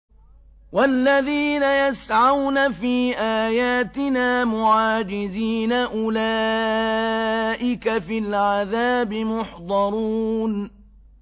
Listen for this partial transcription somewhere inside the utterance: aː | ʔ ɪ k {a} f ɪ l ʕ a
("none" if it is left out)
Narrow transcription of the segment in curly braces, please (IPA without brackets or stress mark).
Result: a